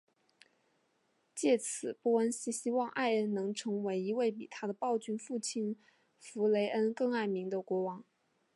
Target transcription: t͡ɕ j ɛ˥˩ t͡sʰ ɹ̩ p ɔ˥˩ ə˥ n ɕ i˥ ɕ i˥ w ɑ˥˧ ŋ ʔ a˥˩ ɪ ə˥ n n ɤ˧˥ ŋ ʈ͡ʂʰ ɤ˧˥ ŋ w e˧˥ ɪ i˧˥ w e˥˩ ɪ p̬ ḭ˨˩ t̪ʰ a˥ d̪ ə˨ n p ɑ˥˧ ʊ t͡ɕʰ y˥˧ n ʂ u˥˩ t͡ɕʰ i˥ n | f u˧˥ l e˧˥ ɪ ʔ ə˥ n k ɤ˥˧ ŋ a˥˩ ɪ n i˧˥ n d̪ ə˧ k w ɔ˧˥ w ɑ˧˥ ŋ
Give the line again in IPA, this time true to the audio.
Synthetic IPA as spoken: t͡ɕ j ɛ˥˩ t͡sʰ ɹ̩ p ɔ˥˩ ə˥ n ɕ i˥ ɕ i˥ w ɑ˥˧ ŋ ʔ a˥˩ ɪ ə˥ n n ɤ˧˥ ŋ ʈ͡ʂʰ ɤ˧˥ ŋ w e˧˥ ɪ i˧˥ w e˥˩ ɪ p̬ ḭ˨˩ t̪ʰ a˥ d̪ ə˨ p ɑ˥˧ ʊ t͡ɕ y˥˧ n f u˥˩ t͡ɕʰ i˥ n | f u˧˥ l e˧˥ ɪ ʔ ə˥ n k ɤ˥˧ ŋ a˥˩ ɪ m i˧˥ ŋ d̪ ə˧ k w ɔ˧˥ w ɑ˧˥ ŋ

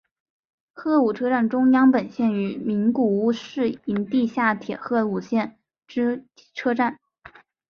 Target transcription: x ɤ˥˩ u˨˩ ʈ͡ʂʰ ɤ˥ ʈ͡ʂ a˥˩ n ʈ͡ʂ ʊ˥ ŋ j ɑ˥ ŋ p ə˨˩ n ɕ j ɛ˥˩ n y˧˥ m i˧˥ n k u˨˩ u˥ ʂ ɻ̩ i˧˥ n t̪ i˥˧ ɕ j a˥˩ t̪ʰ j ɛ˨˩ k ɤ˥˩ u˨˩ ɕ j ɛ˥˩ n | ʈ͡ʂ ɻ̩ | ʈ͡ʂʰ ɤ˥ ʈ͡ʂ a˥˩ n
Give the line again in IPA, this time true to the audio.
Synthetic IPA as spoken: x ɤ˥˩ u˨˩ ʈ͡ʂʰ ɤ˥ ʈ͡ʂ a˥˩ n ʈ͡ʂ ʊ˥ ŋ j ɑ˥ ŋ p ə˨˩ n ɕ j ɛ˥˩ n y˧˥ m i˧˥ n k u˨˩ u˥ ʂ ɻ̩ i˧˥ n t̪ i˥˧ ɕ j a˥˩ t̪ʰ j ɛ˨˩ x ɤ˥˩ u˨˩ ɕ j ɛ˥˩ n | ʈ͡ʂ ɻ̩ | ʈ͡ʂʰ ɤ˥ ʈ͡ʂ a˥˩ n

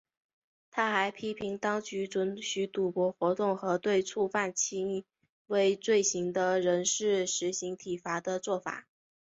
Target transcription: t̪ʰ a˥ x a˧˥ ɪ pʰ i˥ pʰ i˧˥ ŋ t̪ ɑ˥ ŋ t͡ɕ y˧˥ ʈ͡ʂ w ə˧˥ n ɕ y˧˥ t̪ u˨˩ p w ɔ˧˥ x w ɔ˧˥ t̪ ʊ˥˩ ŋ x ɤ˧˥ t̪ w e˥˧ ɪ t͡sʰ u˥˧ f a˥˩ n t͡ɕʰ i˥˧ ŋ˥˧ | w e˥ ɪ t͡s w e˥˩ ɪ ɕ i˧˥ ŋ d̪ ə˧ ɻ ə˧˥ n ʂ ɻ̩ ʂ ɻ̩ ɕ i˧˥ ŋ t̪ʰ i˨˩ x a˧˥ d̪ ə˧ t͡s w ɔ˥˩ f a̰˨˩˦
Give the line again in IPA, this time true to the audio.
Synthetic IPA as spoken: t̪ʰ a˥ x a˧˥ ɪ pʰ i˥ pʰ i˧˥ ŋ t̪ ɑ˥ ŋ t͡ɕ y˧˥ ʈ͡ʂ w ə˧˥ n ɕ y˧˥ t̪ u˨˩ p w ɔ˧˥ x w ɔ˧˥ t̪ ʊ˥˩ ŋ x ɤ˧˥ t̪ w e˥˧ ɪ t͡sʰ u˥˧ f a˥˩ n t͡ɕʰ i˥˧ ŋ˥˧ | w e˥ ɪ t͡s w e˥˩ ɪ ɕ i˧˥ ŋ d̪ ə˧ ɻ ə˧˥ n ʂ ɻ̩ ʂ ɻ̩ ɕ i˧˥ ŋ t̪ʰ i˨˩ f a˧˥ d̪ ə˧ t͡s w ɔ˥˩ f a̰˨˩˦

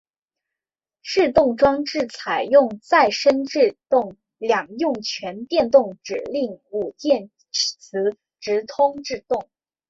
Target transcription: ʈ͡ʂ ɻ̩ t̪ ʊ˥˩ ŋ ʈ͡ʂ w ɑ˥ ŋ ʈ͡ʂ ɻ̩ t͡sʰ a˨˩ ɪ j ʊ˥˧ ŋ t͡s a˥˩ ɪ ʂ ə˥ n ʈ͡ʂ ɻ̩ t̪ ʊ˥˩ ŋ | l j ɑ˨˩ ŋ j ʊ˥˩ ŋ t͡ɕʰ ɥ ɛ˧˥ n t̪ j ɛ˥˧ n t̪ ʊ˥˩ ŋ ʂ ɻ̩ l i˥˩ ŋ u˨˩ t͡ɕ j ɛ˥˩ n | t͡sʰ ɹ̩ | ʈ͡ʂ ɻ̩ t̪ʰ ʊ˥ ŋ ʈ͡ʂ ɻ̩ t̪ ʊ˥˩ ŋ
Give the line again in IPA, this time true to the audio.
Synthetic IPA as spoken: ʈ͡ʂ ɻ̩ t̪ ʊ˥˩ ŋ ʈ͡ʂ w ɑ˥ ŋ ʈ͡ʂ ɻ̩ t͡sʰ a˨˩ ɪ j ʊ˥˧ ŋ t͡s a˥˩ ɪ ʂ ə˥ n ʈ͡ʂ ɻ̩ t̪ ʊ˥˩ ŋ | l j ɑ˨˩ ŋ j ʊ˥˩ ŋ t͡ɕʰ ɥ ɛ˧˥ n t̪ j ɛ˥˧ n t̪ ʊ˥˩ ŋ ʈ͡ʂ ɻ̩ l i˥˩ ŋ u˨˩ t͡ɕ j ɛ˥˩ n | t͡sʰ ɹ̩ | ʈ͡ʂ ɻ̩ t̪ʰ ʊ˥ ŋ ʈ͡ʂ ɻ̩ t̪ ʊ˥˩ ŋ

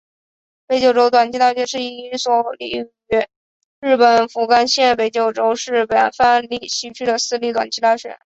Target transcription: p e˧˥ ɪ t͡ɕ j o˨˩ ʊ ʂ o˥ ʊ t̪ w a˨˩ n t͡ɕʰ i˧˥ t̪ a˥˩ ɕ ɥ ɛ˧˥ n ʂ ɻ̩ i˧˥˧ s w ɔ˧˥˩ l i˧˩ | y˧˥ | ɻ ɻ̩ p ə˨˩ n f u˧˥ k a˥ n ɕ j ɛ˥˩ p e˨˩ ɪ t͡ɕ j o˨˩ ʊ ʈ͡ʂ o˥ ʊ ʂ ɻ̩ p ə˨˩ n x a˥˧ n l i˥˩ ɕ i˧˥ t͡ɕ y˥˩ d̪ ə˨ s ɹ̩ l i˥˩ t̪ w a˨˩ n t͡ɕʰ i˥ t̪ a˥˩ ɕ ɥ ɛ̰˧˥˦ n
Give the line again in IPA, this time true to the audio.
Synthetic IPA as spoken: p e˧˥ ɪ t͡ɕ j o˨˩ ʊ ʈ͡ʂ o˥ ʊ t̪ w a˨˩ n t͡ɕʰ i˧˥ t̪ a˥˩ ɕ ɥ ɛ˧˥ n ʂ ɻ̩ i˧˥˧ s w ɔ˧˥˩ l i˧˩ | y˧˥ | ɻ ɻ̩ p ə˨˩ n f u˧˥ k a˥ n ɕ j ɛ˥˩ p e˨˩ ɪ t͡ɕ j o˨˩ ʊ ʈ͡ʂ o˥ ʊ ʂ ɻ̩ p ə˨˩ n f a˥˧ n l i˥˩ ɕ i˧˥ t͡ɕʰ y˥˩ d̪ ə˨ s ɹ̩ l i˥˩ t̪ w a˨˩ n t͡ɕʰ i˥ t̪ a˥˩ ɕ ɥ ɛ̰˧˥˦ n

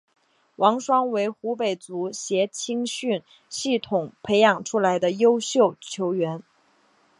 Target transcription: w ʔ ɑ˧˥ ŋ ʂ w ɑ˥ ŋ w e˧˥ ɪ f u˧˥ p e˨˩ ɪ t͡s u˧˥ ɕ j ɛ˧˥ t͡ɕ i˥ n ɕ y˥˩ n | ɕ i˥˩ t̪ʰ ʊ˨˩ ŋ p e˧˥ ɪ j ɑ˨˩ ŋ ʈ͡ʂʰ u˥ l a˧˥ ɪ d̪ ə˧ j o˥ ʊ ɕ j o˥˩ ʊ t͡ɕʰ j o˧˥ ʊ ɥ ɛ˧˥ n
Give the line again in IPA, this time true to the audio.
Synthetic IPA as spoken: w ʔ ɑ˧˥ ŋ ʂ w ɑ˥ ŋ w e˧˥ ɪ x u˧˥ p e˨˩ ɪ t͡s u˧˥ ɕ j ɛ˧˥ t͡ɕʰ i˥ ŋ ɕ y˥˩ n | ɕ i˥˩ t̪ʰ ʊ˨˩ ŋ pʰ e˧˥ ɪ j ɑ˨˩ ŋ ʈ͡ʂʰ u˥ l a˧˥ ɪ d̪ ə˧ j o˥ ʊ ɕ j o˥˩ ʊ t͡ɕʰ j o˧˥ ʊ ɥ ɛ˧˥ n

